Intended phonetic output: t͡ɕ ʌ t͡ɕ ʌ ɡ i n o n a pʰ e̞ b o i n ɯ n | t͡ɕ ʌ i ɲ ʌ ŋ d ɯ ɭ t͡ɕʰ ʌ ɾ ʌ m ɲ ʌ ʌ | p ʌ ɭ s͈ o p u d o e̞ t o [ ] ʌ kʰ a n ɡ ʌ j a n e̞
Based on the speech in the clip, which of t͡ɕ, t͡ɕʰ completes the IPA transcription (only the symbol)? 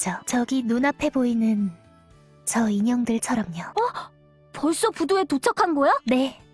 t͡ɕʰ